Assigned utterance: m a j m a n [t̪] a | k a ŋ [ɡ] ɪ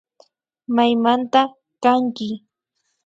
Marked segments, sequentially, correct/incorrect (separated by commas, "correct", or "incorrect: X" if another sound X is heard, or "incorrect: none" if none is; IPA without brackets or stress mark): correct, incorrect: k